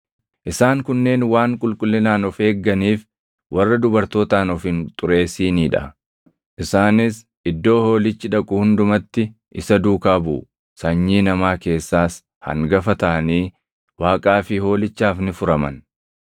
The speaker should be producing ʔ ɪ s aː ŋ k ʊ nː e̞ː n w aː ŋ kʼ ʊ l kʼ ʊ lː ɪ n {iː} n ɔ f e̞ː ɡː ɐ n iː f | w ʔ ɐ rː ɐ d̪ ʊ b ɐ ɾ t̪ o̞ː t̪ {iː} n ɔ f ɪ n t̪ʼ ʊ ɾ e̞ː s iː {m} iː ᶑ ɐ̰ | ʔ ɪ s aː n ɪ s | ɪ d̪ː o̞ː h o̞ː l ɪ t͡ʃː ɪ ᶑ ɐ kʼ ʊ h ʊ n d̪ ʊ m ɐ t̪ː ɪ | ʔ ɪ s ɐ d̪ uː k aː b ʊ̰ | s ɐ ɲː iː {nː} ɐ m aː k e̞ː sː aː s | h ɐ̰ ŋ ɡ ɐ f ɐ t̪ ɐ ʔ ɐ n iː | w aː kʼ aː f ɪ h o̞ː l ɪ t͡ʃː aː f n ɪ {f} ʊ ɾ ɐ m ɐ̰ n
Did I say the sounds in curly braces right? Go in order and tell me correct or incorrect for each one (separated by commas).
incorrect, incorrect, incorrect, incorrect, correct